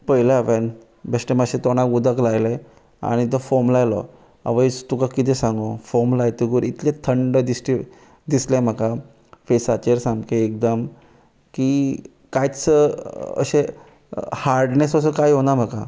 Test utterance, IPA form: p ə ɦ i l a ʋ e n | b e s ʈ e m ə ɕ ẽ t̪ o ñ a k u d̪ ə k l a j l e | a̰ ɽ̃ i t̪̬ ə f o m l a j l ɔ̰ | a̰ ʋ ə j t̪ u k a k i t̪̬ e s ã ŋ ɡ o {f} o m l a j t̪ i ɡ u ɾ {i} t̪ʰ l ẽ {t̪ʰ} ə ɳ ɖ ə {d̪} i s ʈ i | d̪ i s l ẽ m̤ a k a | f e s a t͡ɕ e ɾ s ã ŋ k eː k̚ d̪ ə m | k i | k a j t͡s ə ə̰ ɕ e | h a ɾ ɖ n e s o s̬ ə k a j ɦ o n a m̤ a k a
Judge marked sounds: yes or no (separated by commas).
yes, yes, yes, yes